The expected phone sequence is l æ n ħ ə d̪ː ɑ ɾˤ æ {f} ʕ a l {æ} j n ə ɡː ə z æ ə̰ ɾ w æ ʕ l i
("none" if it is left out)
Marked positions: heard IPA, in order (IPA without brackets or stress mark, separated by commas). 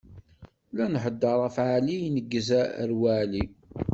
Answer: f, i